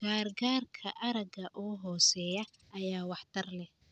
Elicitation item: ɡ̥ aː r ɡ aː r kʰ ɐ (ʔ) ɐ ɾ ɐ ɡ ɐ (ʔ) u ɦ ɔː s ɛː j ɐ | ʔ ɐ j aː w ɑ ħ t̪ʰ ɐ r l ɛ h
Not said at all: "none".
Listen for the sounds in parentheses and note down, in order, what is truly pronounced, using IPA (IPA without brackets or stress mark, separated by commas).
ʔ, ʔ